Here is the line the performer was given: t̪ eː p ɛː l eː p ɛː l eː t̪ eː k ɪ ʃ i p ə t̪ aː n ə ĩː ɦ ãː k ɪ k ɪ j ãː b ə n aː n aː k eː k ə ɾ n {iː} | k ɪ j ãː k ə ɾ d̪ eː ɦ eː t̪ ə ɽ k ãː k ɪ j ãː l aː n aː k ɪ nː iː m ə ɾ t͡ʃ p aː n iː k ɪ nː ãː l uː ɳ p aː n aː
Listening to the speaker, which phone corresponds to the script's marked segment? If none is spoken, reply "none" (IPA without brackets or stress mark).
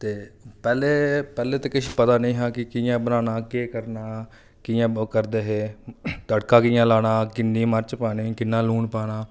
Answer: aː